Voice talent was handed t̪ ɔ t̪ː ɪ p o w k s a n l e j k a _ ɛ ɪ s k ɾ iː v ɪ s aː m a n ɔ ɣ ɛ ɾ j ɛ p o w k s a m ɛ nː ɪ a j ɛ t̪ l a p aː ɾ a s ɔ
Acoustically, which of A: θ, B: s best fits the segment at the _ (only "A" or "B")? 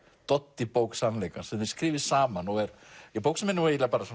B